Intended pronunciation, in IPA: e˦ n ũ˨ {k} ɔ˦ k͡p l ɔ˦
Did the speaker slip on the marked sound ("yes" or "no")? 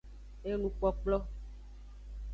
yes